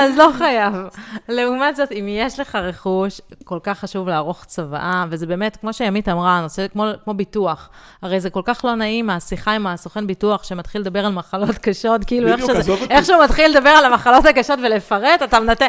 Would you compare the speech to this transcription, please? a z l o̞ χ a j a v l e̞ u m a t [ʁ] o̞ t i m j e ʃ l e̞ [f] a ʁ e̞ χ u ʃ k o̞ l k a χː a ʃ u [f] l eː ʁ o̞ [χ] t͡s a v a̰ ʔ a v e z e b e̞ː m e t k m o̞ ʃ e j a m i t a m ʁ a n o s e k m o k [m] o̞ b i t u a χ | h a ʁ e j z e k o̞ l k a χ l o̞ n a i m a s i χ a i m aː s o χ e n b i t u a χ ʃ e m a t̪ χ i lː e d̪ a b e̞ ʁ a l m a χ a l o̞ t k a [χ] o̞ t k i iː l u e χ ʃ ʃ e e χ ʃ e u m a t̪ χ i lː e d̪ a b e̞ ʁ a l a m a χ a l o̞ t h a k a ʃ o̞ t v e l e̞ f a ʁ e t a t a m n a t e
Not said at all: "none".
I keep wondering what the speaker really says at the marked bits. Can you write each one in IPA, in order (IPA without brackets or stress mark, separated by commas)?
z, χ, v, χ, m, ʃ